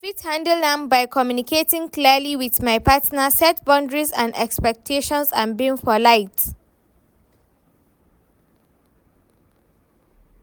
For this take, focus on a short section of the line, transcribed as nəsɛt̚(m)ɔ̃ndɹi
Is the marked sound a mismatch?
yes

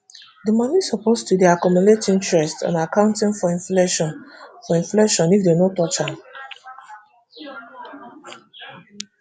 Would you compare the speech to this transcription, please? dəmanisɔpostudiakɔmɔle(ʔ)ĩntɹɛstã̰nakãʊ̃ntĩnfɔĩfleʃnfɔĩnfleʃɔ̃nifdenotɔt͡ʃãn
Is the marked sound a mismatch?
yes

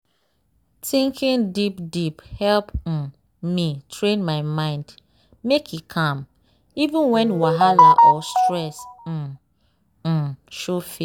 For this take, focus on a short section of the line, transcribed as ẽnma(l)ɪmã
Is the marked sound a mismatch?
yes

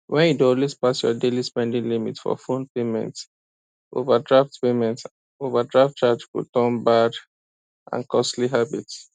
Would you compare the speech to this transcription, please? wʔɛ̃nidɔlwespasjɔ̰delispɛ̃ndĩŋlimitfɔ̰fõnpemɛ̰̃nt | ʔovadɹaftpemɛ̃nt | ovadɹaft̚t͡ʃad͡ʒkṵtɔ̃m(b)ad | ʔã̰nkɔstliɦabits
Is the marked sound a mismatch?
no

